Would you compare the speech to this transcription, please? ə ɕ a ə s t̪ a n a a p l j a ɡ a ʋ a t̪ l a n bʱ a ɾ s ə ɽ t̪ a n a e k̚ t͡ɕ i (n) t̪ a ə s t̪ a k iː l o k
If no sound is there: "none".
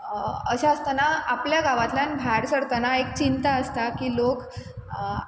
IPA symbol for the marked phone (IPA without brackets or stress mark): n